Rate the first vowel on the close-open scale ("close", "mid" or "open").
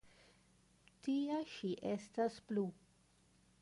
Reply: close